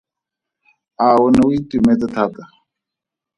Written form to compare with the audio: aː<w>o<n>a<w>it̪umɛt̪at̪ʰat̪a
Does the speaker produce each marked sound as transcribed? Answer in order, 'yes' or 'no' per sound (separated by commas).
yes, yes, yes